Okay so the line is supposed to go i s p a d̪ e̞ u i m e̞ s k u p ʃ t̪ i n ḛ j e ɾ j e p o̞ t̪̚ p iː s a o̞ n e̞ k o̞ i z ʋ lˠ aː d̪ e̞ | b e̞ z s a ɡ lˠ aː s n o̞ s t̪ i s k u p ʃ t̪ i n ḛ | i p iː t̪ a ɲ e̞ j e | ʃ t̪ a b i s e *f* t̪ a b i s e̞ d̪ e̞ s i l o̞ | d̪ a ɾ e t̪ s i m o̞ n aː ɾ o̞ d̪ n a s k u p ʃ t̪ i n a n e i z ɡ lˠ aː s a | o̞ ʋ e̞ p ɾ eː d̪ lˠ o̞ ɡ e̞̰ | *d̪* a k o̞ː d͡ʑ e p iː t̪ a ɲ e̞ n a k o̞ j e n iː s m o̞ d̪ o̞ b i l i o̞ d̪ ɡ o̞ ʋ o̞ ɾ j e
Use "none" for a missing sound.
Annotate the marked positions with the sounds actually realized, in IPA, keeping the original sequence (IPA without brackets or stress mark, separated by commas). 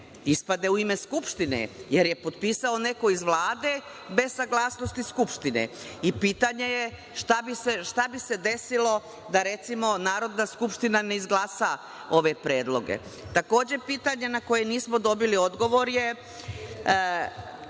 ʃ, t̪